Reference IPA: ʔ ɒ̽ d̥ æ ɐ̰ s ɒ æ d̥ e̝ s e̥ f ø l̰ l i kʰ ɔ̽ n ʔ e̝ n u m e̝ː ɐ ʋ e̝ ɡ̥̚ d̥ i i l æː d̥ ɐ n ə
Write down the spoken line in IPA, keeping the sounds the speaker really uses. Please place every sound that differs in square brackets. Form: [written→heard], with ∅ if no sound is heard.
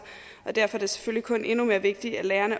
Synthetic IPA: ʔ ɒ̽ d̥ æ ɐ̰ [s→f] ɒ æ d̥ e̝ s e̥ f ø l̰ l i kʰ ɔ̽ n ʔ e̝ n u m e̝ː ɐ ʋ e̝ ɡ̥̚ d̥ i [i→æ] l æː [d̥→∅] ɐ n ə